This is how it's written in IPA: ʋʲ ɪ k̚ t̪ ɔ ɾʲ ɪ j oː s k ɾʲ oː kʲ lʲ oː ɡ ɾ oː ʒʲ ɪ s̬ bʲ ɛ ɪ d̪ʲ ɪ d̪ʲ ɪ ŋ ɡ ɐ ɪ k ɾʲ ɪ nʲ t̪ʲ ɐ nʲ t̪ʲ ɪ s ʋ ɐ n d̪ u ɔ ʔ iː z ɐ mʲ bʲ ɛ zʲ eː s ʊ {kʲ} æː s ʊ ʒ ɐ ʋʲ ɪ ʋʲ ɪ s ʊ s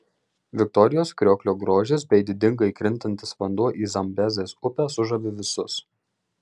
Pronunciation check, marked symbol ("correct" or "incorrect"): incorrect